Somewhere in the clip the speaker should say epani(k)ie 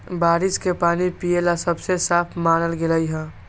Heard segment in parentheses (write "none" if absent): p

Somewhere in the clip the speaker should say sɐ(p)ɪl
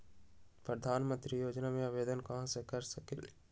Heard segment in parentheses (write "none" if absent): k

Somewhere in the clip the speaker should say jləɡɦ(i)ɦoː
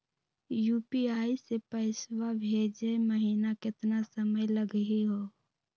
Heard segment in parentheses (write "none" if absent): i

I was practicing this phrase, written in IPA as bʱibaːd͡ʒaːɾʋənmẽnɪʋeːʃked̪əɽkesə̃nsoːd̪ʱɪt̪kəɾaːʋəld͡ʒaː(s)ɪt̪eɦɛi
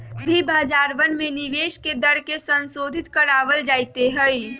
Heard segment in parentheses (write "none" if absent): none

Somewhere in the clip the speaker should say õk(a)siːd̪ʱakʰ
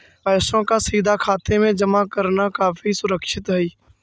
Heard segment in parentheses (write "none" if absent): a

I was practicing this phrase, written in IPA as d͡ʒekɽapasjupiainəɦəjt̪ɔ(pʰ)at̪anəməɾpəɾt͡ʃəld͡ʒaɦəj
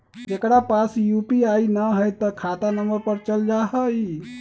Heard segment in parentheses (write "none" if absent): kʰ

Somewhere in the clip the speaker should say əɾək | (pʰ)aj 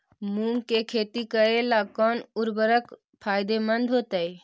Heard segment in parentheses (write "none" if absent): pʰ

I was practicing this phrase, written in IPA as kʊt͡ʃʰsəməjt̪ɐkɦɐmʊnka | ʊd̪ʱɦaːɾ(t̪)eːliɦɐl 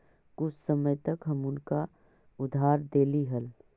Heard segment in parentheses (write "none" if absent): d̪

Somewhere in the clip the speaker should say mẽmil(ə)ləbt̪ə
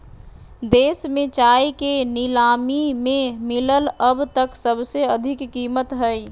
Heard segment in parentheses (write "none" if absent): ə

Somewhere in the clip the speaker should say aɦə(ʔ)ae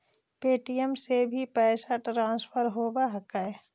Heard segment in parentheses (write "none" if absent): k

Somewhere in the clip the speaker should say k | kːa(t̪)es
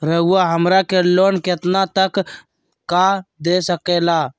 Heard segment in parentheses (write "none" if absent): d̪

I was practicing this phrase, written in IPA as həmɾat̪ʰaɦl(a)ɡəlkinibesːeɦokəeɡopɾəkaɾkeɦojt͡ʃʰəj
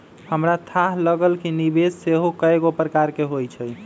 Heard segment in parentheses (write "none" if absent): ə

